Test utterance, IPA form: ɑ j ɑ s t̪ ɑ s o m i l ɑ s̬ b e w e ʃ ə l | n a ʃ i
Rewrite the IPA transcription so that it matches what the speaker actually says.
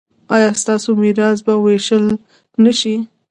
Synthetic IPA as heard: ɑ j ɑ s t̪ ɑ s o m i ɾ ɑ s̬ b a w e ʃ ə l | n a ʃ i